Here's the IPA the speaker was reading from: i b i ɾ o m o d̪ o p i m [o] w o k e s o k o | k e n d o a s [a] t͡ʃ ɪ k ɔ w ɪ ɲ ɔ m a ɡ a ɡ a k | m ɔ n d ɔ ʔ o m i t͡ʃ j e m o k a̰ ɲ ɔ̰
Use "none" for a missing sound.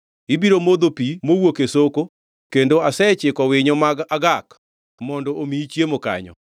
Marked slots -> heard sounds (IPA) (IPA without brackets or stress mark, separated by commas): o, ɛ